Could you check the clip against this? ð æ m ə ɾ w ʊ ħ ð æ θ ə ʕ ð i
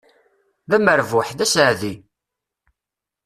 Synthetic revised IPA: ð æ m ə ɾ v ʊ ħ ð æ s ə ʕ ð i